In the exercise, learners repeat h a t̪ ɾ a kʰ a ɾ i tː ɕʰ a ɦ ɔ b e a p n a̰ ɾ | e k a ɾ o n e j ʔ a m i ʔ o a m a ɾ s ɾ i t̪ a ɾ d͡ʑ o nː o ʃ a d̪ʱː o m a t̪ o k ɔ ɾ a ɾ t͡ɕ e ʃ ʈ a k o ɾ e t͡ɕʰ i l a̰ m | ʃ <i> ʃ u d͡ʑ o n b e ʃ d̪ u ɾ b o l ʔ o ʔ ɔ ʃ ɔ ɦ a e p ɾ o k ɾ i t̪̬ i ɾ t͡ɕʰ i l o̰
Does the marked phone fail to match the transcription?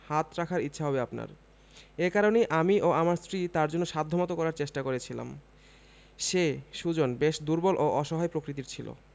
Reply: yes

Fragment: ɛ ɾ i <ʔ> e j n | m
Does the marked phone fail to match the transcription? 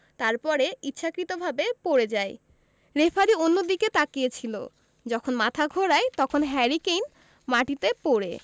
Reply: yes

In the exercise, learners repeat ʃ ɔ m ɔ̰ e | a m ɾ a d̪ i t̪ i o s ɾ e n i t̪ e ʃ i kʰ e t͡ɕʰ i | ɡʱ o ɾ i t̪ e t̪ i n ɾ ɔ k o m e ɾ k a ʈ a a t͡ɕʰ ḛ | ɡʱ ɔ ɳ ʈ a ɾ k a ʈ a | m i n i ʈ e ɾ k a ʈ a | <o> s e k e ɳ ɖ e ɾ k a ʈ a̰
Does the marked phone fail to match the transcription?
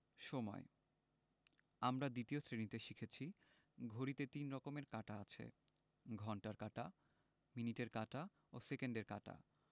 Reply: no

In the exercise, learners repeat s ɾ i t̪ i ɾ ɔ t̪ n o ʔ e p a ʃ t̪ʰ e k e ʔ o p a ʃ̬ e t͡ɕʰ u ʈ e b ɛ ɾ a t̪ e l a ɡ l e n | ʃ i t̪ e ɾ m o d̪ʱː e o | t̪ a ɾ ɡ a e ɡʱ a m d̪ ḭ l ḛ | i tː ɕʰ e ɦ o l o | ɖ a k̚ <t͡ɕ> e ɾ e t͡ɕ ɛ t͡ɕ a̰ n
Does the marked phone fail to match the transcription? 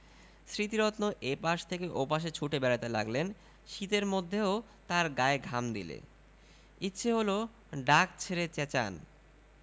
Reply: yes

